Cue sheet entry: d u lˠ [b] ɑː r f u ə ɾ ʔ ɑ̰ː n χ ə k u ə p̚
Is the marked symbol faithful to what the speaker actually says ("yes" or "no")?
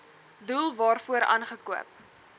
no